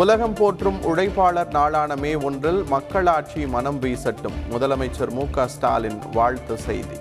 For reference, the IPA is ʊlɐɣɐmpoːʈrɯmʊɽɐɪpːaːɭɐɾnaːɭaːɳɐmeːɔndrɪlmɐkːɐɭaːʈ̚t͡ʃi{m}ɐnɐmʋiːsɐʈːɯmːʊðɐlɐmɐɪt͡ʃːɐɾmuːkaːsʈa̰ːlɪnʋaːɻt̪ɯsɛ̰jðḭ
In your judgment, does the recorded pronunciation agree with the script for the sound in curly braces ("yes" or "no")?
yes